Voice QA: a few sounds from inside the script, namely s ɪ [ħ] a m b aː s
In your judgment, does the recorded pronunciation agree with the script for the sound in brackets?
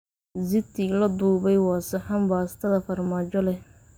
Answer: yes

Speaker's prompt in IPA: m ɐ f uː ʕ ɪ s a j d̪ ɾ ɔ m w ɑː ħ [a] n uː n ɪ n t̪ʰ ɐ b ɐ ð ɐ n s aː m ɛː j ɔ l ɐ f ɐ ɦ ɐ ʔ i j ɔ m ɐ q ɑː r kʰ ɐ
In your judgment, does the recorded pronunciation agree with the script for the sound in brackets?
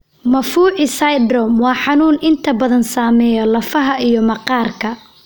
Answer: no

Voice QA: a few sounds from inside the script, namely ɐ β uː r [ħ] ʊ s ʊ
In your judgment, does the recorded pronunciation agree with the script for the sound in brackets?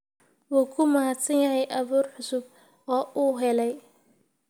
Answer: yes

